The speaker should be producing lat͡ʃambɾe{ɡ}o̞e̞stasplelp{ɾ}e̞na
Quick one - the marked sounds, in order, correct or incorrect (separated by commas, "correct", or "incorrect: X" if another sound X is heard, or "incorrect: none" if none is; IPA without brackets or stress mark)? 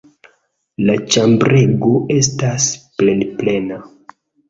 correct, incorrect: l